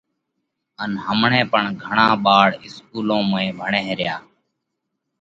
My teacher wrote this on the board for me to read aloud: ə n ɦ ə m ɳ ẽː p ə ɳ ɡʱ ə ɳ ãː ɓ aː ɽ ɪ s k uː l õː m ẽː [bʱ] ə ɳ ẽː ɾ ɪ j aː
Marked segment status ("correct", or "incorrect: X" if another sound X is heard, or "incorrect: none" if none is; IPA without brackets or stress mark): correct